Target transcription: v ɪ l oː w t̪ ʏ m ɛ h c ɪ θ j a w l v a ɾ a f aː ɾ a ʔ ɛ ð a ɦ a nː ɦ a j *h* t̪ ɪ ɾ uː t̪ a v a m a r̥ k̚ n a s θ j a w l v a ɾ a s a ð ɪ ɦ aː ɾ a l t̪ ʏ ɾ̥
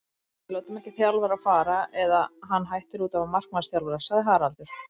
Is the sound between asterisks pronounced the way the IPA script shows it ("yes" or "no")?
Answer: yes